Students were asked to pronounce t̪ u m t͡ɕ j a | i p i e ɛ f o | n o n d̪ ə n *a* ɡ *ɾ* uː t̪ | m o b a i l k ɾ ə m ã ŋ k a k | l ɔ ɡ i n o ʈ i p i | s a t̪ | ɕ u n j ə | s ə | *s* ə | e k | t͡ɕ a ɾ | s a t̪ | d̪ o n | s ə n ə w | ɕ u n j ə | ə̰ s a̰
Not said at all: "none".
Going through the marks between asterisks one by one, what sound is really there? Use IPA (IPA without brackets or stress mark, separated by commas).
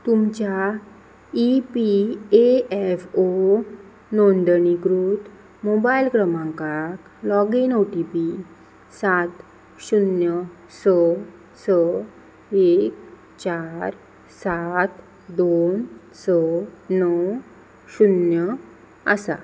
i, ɾ, s